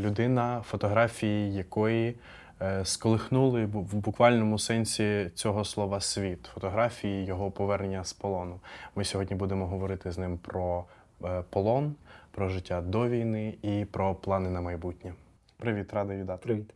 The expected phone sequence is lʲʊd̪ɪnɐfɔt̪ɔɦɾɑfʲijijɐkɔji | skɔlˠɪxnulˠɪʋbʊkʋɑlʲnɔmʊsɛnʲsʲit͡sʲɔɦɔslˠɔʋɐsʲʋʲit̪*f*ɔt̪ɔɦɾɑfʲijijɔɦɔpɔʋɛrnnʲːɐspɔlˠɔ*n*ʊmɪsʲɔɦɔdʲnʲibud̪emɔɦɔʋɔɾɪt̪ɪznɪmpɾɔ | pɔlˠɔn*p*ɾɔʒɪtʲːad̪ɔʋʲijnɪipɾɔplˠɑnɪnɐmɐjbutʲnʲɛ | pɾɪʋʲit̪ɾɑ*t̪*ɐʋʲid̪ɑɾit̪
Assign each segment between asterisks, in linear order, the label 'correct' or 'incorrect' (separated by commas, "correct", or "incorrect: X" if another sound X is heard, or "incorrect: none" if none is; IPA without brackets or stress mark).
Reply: correct, correct, correct, incorrect: d̪